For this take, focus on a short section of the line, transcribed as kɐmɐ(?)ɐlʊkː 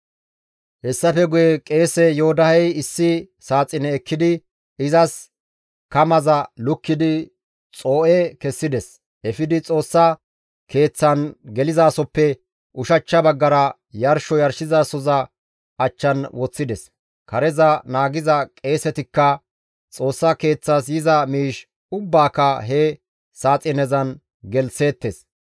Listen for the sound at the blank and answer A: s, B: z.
B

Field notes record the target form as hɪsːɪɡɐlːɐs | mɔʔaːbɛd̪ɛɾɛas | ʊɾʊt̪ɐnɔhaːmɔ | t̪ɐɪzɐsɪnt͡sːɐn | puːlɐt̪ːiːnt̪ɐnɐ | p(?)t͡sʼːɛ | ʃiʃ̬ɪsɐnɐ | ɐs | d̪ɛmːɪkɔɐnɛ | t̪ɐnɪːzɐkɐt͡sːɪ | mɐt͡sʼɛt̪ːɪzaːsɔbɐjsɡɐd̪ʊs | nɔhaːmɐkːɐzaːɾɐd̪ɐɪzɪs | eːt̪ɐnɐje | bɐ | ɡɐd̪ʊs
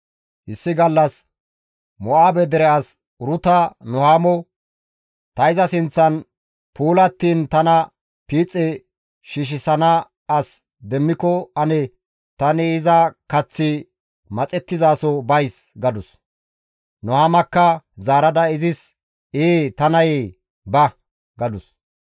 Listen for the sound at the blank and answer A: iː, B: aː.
A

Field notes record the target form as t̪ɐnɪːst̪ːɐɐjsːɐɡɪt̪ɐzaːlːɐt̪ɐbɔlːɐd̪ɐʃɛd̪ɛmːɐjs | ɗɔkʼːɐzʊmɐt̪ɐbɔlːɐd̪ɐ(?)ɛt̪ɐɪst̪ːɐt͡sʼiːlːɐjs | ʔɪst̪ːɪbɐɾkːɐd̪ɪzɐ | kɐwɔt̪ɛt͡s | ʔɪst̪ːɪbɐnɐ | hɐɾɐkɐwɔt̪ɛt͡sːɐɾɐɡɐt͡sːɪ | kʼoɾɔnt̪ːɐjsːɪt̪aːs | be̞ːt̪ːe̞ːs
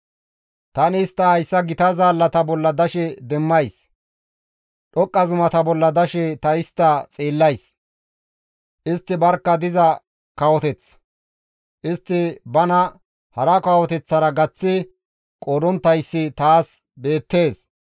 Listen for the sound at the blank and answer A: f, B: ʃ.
B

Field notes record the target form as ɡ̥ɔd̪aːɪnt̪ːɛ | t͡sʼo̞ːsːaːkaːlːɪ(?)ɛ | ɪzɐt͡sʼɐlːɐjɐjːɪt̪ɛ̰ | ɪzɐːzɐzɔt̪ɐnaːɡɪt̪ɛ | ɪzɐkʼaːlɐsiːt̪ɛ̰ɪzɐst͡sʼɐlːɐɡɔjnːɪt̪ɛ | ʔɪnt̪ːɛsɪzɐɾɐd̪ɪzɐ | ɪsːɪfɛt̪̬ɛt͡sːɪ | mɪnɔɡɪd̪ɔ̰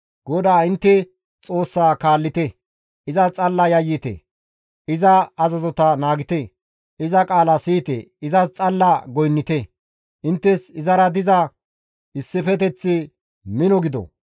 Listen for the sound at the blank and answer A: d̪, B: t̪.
B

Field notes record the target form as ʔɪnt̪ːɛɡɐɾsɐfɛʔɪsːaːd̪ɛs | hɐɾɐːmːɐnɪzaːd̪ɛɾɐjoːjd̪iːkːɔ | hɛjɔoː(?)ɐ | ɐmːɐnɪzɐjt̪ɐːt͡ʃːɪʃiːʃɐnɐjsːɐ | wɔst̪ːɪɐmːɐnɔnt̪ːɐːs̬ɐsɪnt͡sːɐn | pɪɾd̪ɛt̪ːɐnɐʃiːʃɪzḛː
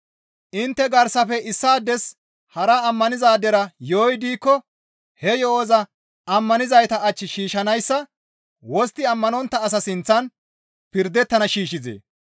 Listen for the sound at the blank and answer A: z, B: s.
A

